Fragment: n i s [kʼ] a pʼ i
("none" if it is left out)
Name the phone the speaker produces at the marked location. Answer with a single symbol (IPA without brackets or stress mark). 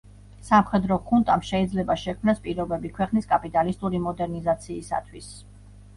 kʼ